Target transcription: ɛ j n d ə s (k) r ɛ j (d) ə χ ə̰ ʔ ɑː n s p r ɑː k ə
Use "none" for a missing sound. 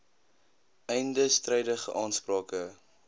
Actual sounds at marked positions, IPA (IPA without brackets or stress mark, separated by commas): t, d